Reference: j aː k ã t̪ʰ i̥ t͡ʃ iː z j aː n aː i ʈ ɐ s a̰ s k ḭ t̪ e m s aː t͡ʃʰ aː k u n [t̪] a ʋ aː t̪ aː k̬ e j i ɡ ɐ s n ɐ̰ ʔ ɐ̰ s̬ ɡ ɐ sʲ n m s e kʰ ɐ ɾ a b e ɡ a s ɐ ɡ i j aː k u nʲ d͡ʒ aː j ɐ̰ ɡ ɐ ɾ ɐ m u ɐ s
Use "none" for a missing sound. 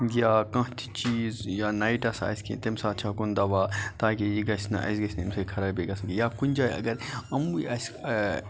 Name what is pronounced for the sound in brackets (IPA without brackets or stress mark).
d̪